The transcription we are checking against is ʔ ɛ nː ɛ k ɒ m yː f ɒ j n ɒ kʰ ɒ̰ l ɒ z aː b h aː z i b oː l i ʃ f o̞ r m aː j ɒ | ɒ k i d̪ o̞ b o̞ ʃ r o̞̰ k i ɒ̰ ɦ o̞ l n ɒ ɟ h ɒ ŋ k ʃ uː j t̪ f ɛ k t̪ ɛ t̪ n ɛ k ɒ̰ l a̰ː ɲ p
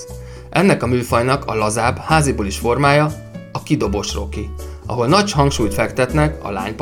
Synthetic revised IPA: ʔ ɛ nː ɛ k ɒ m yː f ɒ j n ɒ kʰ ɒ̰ l ɒ z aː b h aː z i b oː l i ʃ f o̞ r m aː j ɒ | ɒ k i d̪ o̞ b o̞ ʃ r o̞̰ k i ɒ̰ ɦ o̞ l n ɒ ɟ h ɒ ŋ k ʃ uː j t̪ f ɛ k t̪ ɛ t̪ n ɛ k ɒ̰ l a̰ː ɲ p